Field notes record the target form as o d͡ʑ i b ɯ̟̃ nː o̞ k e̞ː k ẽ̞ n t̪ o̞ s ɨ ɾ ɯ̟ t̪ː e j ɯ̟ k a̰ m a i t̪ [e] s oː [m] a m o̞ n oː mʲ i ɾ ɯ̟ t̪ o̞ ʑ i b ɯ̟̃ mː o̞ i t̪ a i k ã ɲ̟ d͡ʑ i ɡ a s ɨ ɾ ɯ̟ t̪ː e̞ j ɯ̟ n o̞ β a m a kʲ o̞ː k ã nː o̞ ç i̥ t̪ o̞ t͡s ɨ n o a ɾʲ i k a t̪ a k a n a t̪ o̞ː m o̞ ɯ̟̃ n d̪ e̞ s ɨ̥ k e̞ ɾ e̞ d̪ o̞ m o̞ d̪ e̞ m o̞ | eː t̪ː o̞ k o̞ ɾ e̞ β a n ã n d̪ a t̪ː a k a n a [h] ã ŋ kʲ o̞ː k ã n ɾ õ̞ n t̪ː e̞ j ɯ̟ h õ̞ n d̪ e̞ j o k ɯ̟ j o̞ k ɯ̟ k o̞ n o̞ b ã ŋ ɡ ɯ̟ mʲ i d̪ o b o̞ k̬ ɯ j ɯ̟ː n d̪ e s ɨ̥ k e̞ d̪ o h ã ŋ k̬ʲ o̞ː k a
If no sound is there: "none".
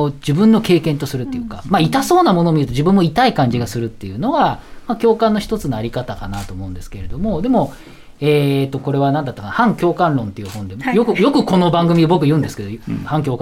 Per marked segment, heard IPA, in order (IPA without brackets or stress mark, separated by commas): a, n, h